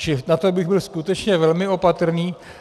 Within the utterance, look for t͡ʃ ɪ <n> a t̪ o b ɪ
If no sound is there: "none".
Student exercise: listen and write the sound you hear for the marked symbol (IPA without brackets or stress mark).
n